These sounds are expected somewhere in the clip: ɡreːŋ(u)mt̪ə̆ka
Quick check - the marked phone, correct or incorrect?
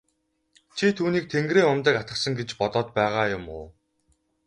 incorrect